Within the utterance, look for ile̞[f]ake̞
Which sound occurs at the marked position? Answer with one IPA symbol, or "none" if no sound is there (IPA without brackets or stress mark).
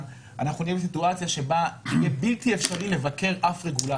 v